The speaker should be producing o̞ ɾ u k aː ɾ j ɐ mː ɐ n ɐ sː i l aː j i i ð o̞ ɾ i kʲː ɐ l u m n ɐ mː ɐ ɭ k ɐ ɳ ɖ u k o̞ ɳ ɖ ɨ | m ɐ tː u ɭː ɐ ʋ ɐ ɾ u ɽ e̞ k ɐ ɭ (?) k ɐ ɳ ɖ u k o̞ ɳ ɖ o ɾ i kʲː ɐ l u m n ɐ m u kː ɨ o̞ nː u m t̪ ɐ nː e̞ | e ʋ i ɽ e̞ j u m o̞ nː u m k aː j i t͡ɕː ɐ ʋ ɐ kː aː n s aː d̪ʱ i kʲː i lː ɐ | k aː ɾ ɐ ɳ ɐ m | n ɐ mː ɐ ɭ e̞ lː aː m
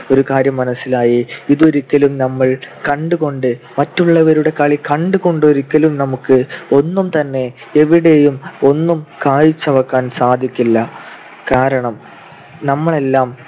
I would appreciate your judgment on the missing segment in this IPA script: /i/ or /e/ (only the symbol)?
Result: i